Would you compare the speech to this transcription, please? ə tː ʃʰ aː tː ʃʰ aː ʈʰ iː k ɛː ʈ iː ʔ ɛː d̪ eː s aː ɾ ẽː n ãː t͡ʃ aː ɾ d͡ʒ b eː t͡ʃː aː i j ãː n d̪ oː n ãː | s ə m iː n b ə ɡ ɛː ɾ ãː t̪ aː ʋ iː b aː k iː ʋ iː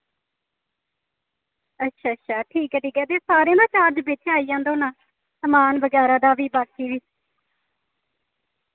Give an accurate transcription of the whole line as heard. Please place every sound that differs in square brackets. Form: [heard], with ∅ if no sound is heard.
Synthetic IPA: ə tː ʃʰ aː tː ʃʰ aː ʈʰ iː k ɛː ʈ iː [k] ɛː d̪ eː s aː ɾ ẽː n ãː t͡ʃ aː ɾ d͡ʒ b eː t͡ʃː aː i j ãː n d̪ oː n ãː | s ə m [aː] n b ə ɡ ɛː ɾ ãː [d̪] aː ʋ iː b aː k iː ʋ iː